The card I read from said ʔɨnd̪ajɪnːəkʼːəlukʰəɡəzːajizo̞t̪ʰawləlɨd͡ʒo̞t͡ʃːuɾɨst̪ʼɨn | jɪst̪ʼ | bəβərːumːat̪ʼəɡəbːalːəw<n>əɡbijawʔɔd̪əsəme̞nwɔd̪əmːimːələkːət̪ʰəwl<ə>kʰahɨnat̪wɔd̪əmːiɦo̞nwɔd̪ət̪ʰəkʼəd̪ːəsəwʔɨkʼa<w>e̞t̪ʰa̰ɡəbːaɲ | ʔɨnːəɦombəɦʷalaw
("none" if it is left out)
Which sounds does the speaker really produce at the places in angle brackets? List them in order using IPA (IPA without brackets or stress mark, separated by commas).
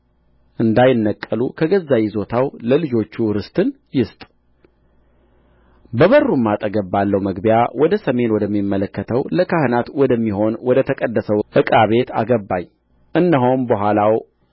m, ə, β